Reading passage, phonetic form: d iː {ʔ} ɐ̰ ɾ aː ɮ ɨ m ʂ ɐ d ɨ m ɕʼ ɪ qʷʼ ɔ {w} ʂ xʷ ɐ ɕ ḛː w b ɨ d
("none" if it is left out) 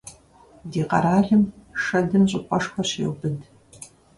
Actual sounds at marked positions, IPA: q, none

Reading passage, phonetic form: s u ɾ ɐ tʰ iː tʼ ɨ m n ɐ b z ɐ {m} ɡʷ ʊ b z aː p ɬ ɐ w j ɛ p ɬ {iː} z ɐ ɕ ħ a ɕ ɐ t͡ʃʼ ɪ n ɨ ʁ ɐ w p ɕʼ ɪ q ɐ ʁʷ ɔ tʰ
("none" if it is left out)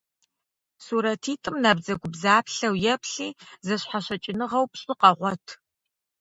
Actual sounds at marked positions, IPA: none, iː

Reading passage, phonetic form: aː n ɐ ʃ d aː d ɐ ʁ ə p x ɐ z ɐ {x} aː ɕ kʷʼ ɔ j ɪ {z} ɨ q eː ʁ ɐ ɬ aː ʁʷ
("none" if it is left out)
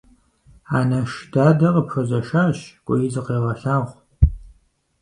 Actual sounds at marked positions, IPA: ʃ, z

